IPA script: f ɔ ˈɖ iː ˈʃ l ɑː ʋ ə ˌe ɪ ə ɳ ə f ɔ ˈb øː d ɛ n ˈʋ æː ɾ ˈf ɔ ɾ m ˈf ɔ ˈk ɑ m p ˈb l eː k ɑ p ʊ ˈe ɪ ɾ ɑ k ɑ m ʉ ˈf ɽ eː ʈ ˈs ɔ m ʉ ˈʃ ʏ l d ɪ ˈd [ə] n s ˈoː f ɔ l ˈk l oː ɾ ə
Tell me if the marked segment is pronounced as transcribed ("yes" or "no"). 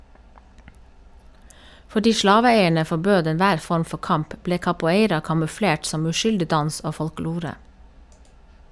no